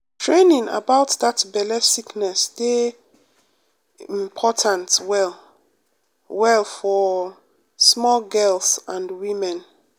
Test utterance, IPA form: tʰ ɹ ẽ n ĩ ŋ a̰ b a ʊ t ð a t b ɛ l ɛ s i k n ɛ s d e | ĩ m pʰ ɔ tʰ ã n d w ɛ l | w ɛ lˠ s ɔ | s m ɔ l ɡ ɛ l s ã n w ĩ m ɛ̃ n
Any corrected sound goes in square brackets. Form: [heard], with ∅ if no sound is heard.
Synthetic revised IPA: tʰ ɹ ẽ n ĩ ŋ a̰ b a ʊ t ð a t b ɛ l ɛ s i k n ɛ s d e | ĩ m pʰ ɔ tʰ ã n [t] w ɛ l | w ɛ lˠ [f] ɔ | s m ɔ l ɡ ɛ l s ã n w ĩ m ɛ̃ n

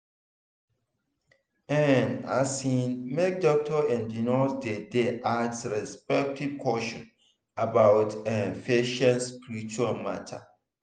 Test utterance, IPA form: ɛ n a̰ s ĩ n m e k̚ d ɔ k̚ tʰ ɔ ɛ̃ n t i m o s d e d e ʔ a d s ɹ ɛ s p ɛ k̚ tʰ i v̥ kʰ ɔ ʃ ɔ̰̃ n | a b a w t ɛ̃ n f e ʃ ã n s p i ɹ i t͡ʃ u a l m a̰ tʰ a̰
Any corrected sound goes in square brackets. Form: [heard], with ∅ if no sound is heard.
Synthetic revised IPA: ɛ n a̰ s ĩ n m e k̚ d ɔ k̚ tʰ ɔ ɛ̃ n [d] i [n] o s d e d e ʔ a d s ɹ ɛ s p ɛ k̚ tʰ i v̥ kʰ ɔ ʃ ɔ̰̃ n | a b a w t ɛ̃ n f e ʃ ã n s p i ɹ i t͡ʃ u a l m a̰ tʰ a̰

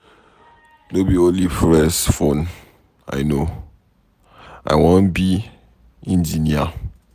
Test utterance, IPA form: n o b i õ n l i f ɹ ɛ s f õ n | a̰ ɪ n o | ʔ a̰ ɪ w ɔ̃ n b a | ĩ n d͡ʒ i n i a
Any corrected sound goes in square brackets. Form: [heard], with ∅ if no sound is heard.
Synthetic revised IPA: n o b i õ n l i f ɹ ɛ s f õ n | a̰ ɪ n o | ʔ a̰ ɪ w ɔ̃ n b [i] | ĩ n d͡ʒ i n i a

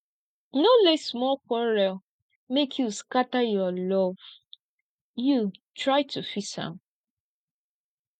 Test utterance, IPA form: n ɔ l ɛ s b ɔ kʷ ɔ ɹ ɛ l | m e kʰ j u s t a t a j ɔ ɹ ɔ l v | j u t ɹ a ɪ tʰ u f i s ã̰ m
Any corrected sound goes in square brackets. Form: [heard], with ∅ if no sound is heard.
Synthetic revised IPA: n [o] l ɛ s [m] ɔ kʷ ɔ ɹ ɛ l | m e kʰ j u s [k] a t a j ɔ [l] ɔ [∅] v | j u t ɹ a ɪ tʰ u f i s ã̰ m

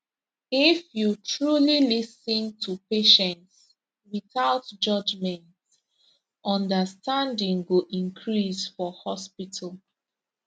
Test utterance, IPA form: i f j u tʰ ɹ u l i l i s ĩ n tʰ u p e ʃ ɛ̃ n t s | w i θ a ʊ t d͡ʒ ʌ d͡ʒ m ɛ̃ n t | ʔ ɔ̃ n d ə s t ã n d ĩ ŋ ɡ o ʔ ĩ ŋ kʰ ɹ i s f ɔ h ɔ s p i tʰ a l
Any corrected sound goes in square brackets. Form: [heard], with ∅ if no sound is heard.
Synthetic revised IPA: i f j u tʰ ɹ u l i l i s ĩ n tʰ u p e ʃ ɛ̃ n t s | w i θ a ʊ t d͡ʒ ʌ d͡ʒ m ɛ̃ n t | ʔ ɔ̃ n d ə s t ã n d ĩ ŋ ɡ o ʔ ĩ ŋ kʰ ɹ i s f ɔ h ɔ s p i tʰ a l

